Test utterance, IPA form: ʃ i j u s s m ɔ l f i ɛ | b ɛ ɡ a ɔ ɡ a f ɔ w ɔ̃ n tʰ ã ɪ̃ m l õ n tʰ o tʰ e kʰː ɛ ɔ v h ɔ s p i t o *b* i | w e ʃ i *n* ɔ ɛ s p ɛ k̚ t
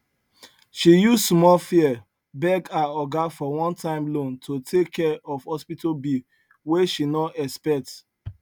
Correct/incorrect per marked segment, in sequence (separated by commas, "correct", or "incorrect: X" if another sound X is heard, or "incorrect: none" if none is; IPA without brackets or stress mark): correct, correct